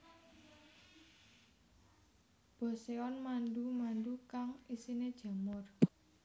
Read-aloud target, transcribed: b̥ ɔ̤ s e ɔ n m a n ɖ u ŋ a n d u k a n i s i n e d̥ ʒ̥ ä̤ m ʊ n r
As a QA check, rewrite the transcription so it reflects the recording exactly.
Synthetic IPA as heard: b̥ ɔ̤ s e ɔ n m a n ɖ u m a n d u k a ŋ i s i n e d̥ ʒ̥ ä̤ m ʊ r

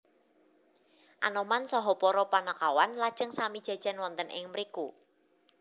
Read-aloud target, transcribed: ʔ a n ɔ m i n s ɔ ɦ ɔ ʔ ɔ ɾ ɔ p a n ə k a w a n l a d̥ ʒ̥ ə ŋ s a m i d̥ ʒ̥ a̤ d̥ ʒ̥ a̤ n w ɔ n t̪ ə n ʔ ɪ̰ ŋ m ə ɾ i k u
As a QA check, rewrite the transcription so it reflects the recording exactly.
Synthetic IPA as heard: ʔ a n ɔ m a n s ɔ ɦ ɔ p ɔ ɾ ɔ p a n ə k a w a n l a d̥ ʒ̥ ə ŋ s a m i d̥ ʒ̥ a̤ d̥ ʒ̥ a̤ n w ɔ n t̪ ə n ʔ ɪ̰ ŋ m ə ɾ i k u

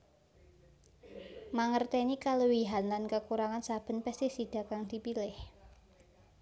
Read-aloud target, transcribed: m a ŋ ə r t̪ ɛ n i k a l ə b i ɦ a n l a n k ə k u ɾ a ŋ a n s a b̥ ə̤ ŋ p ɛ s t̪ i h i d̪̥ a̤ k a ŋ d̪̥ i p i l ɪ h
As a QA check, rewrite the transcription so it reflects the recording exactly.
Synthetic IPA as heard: m a ŋ ə r t̪ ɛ n i k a l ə w i ɦ a n l a n k ə k u ɾ a ŋ a n s a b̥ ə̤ n p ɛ s t̪ i s i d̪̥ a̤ k a ŋ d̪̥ i p i l ɪ h

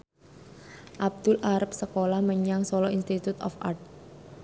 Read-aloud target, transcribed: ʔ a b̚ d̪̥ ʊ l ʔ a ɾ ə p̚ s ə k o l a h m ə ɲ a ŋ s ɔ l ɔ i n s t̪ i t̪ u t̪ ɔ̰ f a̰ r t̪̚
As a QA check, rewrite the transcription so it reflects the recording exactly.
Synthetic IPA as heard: ʔ a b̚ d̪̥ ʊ l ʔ a ɾ ə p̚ s ə k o l a h m ə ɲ a ŋ s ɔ l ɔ i n s t̪ i t̪ u t̪ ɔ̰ f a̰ r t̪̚

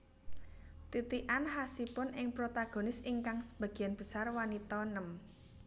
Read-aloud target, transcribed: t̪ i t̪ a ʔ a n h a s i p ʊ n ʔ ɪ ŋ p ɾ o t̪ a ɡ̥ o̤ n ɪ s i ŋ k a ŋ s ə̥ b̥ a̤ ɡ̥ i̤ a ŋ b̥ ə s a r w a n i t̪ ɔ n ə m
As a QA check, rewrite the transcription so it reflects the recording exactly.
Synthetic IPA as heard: t̪ i t̪ i ʔ a n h a s i p ʊ n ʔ ɪ ŋ p ɾ o t̪ a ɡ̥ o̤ n ɪ s i ŋ k a ŋ s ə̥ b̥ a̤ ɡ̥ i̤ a n b̥ ə s a r w a n i t̪ ɔ n ə m

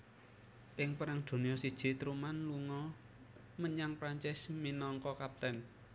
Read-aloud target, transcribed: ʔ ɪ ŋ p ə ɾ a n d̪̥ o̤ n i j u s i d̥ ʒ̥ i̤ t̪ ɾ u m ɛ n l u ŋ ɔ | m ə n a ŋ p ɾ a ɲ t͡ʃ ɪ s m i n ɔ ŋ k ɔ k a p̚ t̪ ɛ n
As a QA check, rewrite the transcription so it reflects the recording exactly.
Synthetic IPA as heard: ʔ ɪ ŋ p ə ɾ a ŋ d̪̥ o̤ n i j ɔ s i d̥ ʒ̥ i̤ t̪ ɾ u m a n l u ŋ ɔ | m ə ɲ a ŋ p ɾ a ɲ t͡ʃ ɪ s m i n ɔ ŋ k ɔ k a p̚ t̪ ɛ n

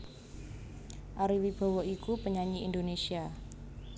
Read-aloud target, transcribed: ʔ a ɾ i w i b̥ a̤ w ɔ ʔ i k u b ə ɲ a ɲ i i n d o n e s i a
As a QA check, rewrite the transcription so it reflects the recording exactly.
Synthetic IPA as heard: ʔ a ɾ i w i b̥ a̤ w ɔ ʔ i k u p ə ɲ a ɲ i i n d o n e s i a

